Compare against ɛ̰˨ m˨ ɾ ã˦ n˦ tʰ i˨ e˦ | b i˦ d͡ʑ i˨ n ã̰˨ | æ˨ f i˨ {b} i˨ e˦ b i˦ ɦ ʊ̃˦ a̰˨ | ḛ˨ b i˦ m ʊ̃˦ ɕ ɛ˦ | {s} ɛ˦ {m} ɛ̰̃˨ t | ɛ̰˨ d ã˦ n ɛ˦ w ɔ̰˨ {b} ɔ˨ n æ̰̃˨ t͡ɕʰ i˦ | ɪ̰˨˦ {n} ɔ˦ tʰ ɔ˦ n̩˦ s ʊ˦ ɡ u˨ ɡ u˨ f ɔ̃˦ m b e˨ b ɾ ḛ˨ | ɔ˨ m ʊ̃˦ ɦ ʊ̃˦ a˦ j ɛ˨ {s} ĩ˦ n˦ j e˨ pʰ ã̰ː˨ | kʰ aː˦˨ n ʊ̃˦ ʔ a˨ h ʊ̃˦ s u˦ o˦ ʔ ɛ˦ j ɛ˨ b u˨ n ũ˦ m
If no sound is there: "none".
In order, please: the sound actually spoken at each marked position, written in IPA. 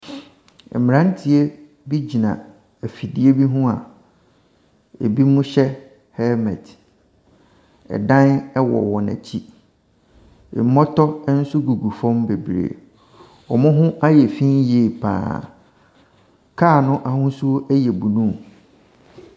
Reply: d, h, m, w, m, f

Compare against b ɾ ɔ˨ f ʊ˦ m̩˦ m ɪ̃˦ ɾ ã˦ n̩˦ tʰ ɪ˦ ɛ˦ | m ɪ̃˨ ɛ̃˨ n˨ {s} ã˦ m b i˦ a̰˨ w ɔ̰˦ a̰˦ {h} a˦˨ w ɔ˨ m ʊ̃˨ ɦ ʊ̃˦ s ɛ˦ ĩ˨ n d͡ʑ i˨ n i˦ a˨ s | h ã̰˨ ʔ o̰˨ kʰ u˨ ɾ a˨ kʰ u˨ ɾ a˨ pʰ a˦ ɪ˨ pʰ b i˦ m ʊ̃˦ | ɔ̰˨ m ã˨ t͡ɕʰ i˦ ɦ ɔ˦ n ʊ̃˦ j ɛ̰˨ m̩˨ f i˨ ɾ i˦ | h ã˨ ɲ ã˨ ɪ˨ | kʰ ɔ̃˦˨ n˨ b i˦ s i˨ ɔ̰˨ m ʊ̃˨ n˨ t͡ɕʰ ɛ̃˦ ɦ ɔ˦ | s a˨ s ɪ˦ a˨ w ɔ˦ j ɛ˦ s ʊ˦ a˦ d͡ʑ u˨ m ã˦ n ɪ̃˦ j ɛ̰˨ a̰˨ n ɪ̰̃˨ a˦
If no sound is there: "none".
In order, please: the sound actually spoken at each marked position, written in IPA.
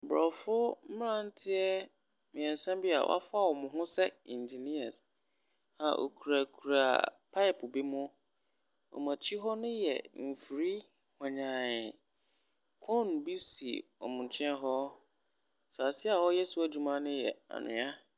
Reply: s, f

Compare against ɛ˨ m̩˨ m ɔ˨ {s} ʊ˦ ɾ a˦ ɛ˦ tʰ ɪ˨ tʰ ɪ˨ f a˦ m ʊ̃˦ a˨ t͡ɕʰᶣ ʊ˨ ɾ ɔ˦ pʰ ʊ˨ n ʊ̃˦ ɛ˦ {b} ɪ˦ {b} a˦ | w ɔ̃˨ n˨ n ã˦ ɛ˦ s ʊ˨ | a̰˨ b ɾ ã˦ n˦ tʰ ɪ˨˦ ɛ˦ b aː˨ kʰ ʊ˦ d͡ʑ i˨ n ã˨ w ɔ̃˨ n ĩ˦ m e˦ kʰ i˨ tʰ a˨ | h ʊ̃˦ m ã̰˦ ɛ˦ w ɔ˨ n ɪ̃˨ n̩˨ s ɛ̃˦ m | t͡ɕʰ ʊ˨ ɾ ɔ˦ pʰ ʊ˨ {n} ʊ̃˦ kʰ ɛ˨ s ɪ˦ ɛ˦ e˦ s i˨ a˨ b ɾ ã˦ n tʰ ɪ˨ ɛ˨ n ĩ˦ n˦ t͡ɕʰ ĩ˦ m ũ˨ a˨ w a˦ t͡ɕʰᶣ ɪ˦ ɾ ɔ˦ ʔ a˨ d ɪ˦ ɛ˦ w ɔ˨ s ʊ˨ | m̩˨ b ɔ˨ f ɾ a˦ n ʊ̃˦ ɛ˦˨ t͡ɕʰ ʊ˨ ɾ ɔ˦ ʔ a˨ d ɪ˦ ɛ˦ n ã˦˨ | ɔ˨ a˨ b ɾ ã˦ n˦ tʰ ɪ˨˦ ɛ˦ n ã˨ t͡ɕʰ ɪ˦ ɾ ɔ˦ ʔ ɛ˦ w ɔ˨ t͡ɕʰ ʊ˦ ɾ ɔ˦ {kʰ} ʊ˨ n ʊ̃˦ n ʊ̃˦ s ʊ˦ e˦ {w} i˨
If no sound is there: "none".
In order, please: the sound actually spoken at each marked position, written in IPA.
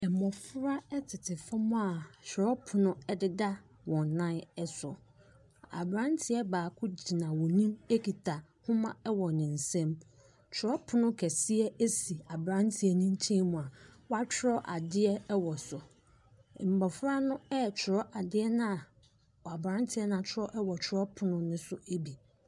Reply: f, d, d, n, pʰ, b

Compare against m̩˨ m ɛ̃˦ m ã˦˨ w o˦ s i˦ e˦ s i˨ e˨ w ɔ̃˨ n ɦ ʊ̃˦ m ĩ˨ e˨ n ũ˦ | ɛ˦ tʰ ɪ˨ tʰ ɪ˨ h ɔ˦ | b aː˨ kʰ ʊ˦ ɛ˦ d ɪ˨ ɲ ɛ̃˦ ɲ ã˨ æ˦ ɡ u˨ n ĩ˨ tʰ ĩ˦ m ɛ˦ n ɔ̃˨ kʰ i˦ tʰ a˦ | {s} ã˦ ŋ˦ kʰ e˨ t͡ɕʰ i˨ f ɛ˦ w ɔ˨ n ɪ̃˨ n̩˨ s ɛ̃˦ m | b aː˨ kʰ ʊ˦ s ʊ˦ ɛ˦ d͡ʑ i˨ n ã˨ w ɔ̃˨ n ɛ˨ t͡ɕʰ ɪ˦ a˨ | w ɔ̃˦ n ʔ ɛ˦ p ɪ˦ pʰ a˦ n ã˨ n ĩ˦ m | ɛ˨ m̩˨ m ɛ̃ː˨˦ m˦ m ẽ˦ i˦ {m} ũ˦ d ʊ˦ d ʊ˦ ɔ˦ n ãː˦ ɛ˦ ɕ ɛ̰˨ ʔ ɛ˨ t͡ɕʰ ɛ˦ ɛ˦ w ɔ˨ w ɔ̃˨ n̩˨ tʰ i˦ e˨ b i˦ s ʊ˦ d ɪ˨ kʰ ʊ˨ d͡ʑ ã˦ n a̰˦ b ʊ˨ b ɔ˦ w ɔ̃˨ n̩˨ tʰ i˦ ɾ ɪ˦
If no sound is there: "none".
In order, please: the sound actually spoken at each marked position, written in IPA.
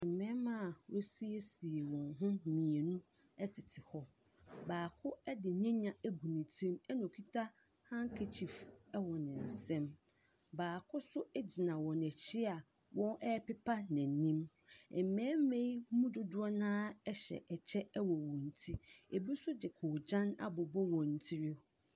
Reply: h, m

